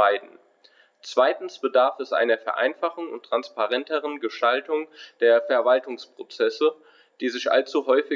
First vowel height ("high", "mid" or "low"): low